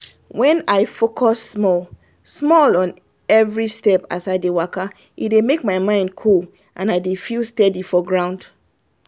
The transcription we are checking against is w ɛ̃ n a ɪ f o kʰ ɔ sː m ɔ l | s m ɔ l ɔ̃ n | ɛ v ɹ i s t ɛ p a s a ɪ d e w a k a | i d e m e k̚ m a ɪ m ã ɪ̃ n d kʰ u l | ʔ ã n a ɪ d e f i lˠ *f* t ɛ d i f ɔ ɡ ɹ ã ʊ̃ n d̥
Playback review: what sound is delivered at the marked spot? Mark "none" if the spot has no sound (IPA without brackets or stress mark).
s